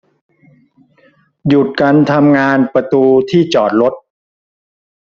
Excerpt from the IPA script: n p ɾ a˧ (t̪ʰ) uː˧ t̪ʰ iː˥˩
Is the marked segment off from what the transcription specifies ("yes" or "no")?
yes